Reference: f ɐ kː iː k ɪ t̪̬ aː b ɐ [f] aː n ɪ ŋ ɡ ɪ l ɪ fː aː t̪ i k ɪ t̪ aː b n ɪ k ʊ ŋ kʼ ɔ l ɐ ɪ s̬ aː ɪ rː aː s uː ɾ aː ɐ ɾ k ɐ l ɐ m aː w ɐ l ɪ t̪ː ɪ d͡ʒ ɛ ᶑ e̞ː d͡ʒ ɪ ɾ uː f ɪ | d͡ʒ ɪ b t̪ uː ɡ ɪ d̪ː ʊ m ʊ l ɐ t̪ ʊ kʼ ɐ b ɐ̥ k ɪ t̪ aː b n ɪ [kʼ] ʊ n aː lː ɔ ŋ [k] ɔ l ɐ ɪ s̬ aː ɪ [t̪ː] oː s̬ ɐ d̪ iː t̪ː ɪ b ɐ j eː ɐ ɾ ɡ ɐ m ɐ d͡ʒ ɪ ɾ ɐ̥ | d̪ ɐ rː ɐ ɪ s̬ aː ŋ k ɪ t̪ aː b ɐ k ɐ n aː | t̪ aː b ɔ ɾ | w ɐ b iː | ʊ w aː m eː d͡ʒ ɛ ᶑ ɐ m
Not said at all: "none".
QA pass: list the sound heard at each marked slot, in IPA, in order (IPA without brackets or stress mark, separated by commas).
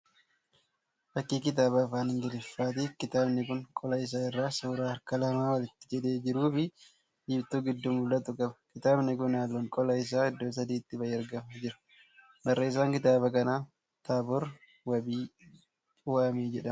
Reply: f, k, kʼ, d̪ː